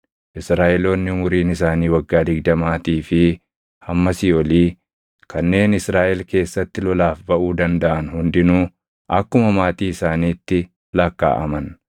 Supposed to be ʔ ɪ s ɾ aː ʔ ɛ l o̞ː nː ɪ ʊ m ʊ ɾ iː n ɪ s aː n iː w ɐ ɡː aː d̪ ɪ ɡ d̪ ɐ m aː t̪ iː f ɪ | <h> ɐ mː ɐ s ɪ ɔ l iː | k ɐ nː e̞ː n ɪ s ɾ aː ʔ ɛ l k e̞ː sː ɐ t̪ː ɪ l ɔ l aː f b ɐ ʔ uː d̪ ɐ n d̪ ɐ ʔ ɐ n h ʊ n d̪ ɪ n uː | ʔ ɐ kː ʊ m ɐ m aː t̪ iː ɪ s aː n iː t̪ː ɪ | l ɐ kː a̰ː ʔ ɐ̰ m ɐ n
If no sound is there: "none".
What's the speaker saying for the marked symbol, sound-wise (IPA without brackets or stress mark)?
h